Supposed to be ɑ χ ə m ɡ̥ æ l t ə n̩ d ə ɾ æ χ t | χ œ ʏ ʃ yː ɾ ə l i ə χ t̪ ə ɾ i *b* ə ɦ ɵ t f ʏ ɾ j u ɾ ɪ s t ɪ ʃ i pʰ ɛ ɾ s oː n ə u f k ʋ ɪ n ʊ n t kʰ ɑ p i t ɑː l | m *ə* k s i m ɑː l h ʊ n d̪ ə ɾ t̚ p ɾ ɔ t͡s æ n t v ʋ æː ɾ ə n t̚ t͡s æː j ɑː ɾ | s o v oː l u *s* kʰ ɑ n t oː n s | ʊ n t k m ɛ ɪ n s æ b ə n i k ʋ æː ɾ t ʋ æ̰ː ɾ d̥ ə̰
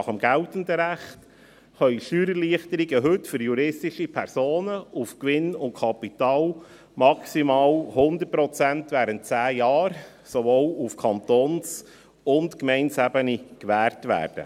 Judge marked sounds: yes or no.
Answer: no, no, no

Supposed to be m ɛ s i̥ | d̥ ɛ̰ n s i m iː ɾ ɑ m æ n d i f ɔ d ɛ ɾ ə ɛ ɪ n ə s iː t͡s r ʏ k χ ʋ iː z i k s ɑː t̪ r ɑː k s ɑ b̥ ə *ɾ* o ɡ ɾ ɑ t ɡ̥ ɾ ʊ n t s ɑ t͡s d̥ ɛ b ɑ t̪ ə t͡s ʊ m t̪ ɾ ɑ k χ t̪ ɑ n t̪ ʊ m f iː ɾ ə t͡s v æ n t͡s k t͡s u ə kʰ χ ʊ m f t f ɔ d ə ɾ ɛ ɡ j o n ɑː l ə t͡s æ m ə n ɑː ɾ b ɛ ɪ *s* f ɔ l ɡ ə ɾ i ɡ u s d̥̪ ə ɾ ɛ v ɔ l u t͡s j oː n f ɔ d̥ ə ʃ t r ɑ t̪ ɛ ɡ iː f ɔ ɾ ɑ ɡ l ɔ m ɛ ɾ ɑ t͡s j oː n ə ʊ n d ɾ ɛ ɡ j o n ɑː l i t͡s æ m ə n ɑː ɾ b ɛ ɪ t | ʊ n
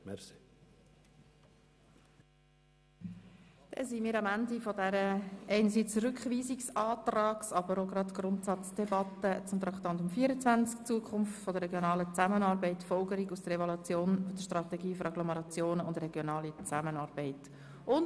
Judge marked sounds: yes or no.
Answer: yes, no

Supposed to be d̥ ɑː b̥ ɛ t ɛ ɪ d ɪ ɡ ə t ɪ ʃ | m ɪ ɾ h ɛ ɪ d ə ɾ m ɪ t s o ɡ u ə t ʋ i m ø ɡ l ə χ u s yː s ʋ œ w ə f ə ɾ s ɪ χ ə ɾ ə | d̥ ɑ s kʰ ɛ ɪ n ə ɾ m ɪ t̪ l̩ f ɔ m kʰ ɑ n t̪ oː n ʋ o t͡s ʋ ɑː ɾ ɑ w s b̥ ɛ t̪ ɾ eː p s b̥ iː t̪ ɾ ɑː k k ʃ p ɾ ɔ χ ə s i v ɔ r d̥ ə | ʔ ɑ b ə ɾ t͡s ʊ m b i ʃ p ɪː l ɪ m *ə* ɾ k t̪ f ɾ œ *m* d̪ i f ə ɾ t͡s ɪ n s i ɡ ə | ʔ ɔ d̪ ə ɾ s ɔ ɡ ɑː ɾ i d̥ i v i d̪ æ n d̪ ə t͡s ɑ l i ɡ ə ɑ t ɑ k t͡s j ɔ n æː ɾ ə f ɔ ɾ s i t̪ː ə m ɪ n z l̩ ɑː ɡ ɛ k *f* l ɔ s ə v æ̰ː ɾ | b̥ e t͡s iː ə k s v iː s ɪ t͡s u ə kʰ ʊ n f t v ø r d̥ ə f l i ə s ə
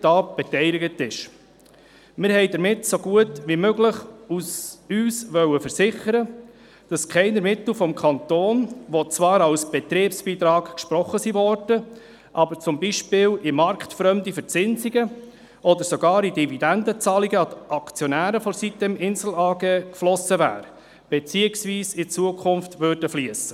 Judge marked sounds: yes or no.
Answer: no, yes, yes

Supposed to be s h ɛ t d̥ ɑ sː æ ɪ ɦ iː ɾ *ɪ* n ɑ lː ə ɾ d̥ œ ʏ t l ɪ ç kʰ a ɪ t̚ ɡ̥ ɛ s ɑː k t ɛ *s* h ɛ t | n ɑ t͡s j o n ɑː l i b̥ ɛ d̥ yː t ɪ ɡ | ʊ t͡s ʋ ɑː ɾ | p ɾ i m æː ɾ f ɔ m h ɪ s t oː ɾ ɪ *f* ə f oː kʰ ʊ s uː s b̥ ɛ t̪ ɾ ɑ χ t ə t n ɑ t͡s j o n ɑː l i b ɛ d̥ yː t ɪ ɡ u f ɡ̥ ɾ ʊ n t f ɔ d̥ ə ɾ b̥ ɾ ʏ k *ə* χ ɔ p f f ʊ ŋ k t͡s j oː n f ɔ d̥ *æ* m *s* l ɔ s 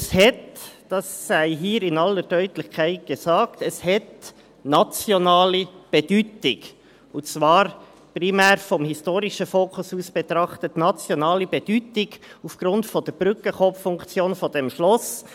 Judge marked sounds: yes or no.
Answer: yes, yes, no, yes, no, no

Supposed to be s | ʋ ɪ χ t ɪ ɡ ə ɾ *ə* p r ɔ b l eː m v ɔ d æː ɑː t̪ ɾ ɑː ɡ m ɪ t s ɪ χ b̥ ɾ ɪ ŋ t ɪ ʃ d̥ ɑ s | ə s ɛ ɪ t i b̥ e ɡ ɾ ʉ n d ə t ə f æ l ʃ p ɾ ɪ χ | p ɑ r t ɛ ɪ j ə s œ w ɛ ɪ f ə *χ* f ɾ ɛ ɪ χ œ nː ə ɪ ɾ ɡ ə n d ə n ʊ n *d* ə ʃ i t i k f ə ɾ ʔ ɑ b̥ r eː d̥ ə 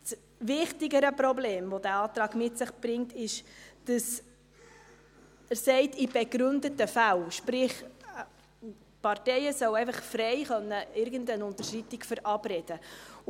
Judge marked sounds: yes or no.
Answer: yes, yes, no

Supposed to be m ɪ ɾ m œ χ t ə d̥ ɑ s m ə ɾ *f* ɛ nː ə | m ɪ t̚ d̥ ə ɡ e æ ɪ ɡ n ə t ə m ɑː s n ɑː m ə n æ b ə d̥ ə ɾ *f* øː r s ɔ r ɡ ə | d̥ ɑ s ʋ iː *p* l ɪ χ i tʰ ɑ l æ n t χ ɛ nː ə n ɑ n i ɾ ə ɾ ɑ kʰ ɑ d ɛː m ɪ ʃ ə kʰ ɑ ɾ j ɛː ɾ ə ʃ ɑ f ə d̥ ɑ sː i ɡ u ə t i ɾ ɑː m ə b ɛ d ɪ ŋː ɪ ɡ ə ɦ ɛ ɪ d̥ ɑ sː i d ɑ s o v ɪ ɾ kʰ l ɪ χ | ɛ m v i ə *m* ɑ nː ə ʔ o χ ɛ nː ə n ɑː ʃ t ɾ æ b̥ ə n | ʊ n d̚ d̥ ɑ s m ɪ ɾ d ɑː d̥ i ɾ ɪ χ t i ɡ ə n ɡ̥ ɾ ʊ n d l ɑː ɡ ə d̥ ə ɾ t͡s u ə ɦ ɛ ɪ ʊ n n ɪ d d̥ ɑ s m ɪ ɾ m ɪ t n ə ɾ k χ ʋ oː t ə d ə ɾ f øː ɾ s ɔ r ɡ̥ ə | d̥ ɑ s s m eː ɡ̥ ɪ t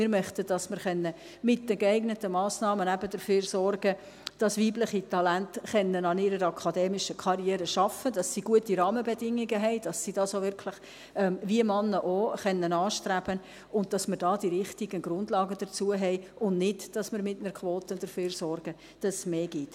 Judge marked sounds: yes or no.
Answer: no, yes, no, yes

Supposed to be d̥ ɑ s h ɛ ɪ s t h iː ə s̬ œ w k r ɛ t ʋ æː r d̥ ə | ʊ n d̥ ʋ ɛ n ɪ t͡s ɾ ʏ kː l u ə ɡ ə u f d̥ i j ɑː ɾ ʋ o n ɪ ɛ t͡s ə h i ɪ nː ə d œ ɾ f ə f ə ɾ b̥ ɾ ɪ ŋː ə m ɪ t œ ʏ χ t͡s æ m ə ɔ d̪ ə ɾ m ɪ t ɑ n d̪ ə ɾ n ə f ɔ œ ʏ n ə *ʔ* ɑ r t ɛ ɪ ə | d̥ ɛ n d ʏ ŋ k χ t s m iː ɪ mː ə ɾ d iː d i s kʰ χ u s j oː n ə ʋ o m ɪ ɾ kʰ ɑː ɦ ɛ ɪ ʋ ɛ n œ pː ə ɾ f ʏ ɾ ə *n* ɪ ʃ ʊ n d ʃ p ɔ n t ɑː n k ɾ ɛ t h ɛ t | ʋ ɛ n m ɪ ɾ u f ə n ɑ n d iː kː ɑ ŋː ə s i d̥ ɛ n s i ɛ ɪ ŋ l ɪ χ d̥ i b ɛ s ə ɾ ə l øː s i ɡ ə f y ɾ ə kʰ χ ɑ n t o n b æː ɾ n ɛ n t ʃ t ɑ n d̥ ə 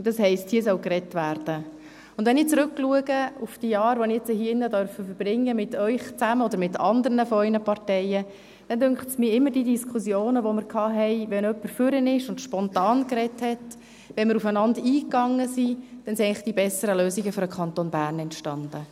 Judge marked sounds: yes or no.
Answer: no, yes

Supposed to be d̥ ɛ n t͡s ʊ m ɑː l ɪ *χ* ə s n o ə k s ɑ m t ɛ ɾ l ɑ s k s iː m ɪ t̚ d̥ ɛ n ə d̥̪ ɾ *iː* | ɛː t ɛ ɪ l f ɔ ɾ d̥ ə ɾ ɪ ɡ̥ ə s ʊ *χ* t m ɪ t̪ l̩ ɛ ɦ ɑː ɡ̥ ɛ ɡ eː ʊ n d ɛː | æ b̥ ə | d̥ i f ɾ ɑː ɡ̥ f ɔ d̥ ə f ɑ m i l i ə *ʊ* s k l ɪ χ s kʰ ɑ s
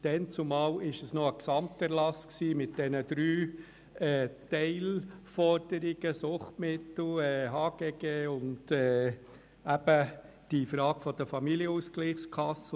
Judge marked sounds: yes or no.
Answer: no, no, yes, no

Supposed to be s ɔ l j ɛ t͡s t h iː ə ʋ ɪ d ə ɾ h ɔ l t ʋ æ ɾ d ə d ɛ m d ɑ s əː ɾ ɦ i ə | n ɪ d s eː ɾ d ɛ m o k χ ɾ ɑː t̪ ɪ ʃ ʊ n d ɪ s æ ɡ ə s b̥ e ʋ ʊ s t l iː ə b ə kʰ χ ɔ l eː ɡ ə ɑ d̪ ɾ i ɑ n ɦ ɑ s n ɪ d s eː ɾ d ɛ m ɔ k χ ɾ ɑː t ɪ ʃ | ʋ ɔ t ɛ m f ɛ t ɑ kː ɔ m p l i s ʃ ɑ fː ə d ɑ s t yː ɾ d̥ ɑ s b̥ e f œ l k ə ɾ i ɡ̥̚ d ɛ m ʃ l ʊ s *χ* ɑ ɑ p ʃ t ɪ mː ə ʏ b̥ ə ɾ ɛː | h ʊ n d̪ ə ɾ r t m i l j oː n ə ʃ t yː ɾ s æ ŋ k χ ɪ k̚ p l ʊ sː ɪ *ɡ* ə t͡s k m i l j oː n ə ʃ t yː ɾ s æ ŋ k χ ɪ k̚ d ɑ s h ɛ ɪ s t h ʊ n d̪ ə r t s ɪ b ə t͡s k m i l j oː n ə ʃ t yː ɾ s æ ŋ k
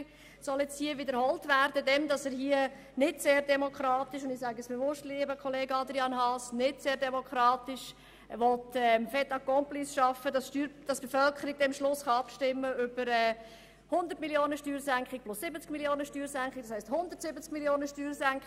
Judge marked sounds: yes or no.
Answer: yes, no

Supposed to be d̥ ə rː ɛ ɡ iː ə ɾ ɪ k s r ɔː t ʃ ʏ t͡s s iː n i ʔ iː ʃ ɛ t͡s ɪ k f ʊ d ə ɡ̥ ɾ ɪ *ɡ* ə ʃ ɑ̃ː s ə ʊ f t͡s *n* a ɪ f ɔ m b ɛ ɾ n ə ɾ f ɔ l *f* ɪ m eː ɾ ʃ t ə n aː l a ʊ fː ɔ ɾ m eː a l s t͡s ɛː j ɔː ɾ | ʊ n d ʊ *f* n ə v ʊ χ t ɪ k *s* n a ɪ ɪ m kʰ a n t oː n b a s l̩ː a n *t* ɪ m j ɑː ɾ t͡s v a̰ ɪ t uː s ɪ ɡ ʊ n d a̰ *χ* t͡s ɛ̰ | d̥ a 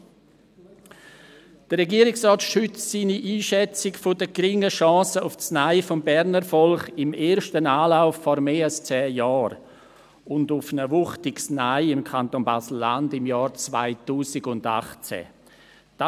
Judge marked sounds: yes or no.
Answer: no, yes, no, yes, yes, no, yes

